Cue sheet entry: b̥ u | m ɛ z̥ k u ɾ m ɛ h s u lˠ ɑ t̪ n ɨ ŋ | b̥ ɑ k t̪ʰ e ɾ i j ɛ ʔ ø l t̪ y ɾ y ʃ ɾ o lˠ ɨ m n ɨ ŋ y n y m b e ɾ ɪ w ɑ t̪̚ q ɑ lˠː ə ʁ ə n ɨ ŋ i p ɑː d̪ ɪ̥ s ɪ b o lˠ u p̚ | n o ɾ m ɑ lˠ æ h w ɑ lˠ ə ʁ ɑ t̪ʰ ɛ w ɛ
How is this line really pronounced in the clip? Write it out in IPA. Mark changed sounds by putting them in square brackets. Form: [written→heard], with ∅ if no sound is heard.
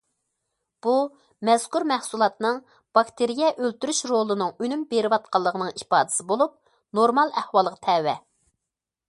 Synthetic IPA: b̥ u | m ɛ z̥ k u ɾ m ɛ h s u lˠ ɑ t̪ n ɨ ŋ | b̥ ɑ k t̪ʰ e ɾ i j ɛ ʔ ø l t̪ y ɾ y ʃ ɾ o lˠ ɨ [m→∅] n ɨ ŋ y n y m b e ɾ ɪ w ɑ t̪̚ q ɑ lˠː ə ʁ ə n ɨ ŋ i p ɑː d̪ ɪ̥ s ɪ b o lˠ u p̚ | n o ɾ m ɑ lˠ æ h w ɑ lˠ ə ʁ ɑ t̪ʰ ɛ w ɛ